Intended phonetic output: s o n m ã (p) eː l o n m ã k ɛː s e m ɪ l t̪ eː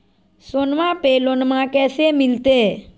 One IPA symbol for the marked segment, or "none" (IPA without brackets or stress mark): p